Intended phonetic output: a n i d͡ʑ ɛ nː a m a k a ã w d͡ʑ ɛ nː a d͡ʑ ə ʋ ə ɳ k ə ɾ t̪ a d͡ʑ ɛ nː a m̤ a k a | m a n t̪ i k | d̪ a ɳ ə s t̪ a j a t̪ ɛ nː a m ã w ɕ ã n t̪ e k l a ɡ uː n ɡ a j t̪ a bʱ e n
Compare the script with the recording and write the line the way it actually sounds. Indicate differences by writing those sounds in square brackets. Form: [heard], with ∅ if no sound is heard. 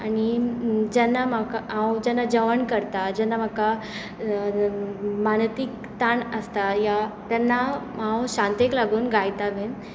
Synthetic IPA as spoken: a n i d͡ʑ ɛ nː a m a k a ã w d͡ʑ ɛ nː a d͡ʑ ə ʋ ə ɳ k ə ɾ t̪ a d͡ʑ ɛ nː a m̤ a k a | m a n t̪ i k | [t̪] a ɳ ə s t̪ a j a t̪ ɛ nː a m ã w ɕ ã n t̪ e k l a ɡ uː n ɡ a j t̪ a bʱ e n